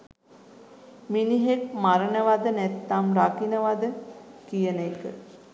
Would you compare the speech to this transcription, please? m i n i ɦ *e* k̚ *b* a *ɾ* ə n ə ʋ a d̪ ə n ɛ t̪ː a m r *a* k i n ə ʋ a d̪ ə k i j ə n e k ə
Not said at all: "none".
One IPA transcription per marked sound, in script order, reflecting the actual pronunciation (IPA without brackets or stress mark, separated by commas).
e, m, ɾ, a